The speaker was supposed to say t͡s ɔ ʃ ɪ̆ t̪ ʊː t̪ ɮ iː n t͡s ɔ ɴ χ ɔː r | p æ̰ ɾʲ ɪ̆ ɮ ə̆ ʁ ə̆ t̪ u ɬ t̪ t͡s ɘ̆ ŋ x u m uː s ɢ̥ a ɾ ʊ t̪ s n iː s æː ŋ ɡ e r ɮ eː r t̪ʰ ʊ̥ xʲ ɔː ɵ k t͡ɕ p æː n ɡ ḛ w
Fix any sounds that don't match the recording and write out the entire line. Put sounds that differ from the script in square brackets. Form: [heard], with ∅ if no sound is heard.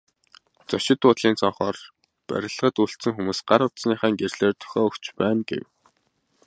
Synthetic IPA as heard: t͡s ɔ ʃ ɪ̆ t̪ ʊː t̪ ɮ iː n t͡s ɔ ɴ χ ɔː r | p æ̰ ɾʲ ɪ̆ ɮ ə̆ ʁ ə̆ t̪ u ɬ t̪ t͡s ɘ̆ ŋ x u m uː s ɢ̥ a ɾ ʊ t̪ s n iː [χ] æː ŋ ɡ e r ɮ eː r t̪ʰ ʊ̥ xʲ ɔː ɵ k t͡ɕ p æː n ɡ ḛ w

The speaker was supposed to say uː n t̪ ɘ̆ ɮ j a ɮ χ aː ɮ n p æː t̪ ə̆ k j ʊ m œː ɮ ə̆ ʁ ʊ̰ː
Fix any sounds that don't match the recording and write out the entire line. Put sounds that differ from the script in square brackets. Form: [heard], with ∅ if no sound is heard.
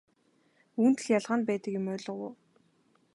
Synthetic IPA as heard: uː n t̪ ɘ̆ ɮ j a ɮ [ʁ] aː [∅] n p æː t̪ ə̆ k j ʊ m œː ɮ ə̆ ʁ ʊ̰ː

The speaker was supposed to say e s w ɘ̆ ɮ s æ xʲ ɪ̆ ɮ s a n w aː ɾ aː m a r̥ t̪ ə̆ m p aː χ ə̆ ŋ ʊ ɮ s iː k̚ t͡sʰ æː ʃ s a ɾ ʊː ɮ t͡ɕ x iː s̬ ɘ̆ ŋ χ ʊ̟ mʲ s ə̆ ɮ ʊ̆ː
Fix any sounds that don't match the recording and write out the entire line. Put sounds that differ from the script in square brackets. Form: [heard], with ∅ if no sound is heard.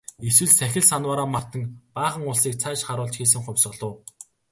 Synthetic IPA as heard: e s w ɘ̆ ɮ s æ xʲ ɪ̆ ɮ s a n w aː ɾ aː m a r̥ t̪ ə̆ [ŋ] p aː χ ə̆ ŋ ʊ ɮ s iː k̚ t͡sʰ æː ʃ [χ] a ɾ ʊː ɮ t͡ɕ x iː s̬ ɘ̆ ŋ χ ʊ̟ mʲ s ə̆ ɮ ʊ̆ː

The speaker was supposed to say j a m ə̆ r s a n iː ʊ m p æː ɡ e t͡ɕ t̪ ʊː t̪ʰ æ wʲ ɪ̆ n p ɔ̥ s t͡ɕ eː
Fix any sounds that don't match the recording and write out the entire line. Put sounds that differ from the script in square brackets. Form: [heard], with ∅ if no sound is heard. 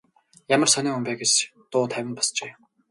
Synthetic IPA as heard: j a m ə̆ r s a n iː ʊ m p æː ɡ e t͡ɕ t̪ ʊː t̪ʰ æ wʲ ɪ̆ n p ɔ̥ s t͡ɕ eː

